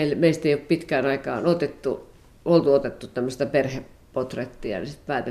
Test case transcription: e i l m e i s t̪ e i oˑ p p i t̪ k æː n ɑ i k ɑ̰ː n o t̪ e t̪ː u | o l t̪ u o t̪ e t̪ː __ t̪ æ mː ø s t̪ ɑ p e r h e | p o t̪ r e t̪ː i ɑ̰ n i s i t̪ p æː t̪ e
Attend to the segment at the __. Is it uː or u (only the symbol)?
u